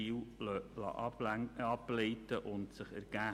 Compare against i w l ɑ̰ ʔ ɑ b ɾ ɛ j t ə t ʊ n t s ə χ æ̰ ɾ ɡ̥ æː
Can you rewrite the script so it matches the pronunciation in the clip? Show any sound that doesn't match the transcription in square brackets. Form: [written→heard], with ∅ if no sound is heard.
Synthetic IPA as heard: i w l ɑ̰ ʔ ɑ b [ɾ→l] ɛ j t ə [t→ʔ] ʊ n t s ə χ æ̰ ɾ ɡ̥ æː

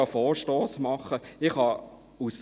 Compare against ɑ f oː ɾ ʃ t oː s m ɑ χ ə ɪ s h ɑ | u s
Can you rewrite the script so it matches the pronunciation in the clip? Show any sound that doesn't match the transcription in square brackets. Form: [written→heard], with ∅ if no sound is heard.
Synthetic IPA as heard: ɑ f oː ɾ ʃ t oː s m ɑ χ ə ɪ [s→χ] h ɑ | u s

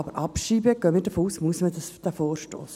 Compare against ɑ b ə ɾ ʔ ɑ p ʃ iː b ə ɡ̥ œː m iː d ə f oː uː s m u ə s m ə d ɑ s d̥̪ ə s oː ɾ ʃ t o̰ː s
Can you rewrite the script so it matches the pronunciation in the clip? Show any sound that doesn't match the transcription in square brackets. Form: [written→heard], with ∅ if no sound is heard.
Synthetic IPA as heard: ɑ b ə ɾ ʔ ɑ p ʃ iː b ə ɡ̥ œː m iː d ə f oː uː s m u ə s m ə d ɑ s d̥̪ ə [s→f] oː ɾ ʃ t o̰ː s

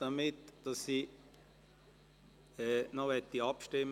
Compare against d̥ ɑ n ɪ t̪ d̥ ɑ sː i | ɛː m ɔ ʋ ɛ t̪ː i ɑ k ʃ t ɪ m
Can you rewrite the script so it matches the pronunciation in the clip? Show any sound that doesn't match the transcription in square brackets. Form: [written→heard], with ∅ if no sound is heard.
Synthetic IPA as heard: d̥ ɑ [n→m] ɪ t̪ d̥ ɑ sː i | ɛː [m→n] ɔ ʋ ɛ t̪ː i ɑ [k→p] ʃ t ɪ m

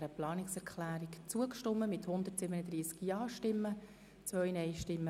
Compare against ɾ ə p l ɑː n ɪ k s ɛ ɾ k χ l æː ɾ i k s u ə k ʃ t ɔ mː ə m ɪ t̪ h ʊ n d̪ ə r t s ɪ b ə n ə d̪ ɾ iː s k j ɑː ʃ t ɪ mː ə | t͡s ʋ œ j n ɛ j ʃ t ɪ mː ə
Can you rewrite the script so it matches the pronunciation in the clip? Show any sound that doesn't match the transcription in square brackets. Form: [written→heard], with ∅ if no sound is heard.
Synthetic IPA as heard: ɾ ə p l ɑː n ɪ k s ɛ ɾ k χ l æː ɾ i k [s→t͡s] u ə k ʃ t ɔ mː ə m ɪ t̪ h ʊ n d̪ ə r t s ɪ b ə n ə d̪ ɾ iː s k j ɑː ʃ t ɪ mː ə | t͡s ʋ œ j n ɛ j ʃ t ɪ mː ə

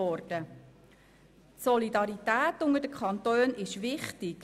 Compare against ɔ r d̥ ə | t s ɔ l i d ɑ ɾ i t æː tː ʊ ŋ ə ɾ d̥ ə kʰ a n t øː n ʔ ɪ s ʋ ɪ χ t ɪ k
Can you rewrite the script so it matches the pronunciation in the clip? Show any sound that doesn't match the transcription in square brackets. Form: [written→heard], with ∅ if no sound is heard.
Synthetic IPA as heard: ɔ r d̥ ə | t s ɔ l i d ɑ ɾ i t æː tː ʊ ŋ ə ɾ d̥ ə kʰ [a→ɑ] n t øː n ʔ ɪ [s→ʃ] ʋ ɪ χ t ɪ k

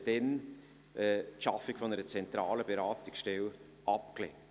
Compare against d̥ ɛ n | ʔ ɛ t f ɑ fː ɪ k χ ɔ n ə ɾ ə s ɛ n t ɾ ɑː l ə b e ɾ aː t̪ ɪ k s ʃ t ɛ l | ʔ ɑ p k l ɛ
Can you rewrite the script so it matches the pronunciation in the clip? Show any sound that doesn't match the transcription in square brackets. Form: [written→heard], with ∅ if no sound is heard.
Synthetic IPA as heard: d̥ ɛ n | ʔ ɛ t [f→ʃ] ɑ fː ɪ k [χ→f] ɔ n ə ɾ ə [s→t͡s] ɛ n t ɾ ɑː l ə b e ɾ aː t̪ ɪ k s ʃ t ɛ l | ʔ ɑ p k l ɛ

